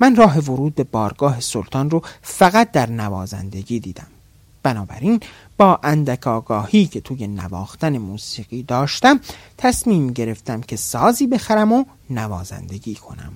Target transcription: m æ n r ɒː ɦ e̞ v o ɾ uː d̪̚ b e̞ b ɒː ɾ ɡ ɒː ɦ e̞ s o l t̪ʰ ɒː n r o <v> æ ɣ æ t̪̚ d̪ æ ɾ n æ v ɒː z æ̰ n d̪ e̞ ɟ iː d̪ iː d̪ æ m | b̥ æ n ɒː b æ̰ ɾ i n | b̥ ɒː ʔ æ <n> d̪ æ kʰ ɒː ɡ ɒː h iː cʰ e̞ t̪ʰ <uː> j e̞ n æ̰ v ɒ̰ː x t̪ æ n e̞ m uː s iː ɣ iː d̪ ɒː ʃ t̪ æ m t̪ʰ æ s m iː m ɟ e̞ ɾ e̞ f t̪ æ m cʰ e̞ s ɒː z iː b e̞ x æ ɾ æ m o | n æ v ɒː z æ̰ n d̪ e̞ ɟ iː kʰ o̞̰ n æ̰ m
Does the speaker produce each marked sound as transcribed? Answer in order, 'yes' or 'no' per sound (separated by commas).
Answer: no, yes, yes